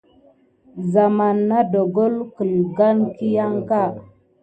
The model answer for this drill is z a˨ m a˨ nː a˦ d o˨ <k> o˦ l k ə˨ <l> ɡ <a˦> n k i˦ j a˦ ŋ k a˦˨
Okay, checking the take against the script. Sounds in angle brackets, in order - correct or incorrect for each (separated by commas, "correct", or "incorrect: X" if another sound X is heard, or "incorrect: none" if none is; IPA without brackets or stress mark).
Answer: incorrect: ɡ, correct, correct